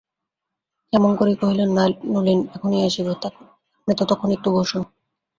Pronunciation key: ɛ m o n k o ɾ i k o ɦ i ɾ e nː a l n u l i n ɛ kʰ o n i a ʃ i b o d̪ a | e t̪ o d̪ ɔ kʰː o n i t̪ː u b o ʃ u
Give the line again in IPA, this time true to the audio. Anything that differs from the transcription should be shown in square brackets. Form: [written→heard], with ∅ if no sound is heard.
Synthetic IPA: ɛ m o n k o ɾ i k o ɦ i [ɾ→l] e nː a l n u l i n ɛ kʰ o n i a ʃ i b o [d̪→t̪] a | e t̪ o [d̪→t̪] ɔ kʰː o n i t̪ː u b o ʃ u